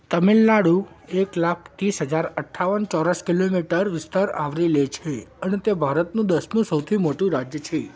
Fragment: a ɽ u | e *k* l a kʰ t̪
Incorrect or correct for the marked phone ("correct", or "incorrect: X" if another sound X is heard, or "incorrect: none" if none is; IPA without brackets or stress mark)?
correct